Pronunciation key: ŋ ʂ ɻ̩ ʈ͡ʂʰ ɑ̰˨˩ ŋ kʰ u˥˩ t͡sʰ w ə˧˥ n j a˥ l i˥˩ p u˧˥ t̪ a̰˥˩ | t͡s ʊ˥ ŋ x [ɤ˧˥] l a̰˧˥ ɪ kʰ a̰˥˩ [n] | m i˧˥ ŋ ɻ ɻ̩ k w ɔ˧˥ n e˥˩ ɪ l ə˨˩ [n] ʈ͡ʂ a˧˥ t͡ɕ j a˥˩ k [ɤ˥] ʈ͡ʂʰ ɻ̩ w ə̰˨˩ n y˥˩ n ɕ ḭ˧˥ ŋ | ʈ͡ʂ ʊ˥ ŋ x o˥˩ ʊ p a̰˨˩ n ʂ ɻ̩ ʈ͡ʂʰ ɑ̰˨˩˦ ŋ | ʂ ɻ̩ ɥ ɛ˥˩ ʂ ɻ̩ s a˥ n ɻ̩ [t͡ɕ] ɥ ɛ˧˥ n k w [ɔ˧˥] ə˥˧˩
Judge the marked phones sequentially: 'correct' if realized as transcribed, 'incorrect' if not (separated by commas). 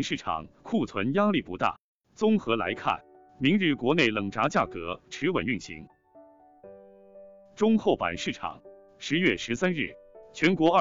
correct, correct, incorrect, incorrect, incorrect, correct